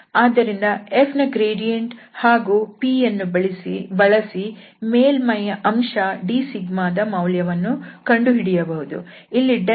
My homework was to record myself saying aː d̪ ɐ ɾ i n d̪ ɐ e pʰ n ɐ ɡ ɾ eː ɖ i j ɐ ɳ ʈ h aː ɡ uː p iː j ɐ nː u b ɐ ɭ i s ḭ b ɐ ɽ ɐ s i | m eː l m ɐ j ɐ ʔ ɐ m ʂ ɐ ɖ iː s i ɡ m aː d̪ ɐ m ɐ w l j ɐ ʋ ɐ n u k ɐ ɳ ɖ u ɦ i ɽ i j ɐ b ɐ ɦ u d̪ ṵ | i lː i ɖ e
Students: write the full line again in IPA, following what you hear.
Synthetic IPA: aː d̪ ɐ ɾ i n d̪ ɐ e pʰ n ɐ ɡ ɾ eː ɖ i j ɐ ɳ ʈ h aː ɡ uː p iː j ɐ nː u b ɐ ɭ i s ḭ b ɐ ɭ ɐ s i | m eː l m ɐ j ɐ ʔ ɐ m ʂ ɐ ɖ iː s i ɡ m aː d̪ ɐ m ɐ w l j ɐ ʋ ɐ nː u k ɐ ɳ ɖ u ɦ i ɽ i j ɐ b ɐ ɦ u d̪ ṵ | i lː i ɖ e